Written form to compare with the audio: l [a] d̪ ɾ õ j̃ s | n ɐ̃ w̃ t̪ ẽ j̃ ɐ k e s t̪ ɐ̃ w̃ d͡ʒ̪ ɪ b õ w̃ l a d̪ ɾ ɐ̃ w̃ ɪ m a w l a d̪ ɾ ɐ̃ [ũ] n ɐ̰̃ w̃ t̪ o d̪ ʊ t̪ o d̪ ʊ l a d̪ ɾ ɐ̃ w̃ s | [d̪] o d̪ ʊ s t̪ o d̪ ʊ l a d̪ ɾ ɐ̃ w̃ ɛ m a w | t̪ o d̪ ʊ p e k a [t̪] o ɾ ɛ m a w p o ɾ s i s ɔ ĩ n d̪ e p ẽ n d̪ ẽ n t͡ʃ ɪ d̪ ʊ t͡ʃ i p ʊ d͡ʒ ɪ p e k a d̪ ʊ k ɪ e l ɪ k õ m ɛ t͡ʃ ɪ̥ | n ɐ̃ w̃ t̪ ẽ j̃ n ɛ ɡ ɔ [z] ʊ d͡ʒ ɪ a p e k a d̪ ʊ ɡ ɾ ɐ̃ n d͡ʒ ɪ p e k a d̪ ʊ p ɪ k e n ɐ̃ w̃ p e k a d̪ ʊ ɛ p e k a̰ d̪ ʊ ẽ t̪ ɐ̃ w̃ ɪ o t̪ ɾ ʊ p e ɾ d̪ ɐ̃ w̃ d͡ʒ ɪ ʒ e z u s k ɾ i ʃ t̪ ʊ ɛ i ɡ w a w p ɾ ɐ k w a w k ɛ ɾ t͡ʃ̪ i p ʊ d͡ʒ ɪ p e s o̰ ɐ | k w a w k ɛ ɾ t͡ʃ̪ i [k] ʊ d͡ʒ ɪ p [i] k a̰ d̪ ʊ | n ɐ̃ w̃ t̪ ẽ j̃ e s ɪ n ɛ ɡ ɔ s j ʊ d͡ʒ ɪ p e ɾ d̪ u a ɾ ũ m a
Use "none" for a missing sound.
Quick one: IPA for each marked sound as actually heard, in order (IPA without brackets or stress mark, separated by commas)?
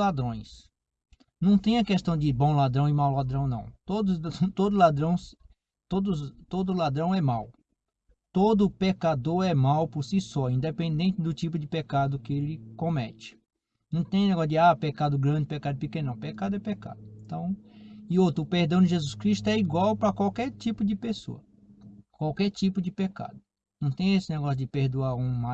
a, w̃, t̪, d̪, s, p, e